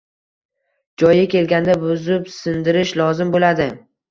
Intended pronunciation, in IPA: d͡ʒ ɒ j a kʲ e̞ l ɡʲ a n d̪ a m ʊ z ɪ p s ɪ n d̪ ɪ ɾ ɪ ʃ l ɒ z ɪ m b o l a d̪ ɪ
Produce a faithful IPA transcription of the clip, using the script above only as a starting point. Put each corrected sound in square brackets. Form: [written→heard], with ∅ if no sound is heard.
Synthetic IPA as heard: d͡ʒ ɒ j a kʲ e̞ l ɡʲ a n d̪ a [m→b] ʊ z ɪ p s ɪ n d̪ ɪ ɾ ɪ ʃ l ɒ z ɪ m b o l a d̪ ɪ